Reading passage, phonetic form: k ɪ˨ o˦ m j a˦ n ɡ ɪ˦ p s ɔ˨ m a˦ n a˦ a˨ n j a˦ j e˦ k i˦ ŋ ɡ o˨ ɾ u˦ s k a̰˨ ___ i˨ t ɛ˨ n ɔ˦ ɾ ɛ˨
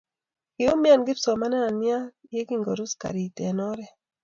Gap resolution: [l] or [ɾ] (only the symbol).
ɾ